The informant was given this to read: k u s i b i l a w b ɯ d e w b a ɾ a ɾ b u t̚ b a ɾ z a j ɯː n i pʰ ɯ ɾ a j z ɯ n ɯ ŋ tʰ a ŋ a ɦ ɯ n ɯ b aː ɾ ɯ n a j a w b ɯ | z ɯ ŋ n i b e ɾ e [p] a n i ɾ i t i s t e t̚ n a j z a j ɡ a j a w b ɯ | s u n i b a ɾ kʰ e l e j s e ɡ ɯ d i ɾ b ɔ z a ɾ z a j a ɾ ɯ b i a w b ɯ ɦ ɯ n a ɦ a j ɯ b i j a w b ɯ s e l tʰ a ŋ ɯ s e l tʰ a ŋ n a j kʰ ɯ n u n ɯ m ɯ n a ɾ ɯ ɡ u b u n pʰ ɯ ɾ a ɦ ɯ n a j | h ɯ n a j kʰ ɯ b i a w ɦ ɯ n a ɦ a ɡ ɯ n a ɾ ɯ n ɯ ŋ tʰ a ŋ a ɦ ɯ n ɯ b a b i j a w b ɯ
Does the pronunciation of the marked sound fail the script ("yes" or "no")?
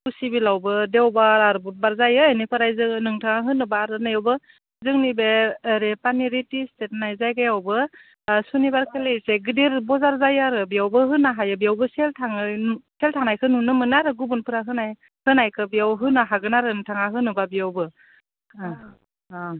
no